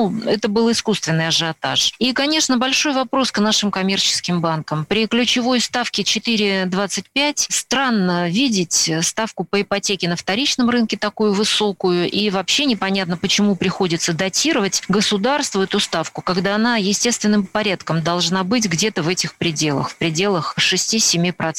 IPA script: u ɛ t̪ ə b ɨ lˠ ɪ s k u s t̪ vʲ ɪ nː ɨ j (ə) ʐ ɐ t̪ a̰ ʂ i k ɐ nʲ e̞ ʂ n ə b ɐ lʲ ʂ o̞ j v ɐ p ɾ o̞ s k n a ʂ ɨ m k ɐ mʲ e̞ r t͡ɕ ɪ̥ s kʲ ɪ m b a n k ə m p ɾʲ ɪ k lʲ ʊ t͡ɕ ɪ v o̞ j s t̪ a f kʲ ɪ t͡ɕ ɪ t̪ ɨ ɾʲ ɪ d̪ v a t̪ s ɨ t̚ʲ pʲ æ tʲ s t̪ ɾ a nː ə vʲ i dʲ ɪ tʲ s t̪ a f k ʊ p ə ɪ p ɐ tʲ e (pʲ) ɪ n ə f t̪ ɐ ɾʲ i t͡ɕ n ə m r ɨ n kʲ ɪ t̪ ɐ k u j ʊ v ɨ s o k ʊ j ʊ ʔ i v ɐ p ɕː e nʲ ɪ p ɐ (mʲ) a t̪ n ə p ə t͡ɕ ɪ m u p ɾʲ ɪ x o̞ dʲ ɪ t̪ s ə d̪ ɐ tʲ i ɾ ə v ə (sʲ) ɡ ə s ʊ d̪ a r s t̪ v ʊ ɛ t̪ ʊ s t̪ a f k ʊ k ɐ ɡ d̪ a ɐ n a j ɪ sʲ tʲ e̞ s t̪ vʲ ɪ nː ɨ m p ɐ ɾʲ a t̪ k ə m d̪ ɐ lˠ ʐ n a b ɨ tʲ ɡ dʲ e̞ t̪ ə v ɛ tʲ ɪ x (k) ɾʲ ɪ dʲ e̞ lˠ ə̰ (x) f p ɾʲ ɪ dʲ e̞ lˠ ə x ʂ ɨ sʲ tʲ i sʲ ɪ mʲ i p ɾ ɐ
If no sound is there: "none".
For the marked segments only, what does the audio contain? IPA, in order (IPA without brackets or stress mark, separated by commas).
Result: ɐ, kʲ, nʲ, tʲ, p, x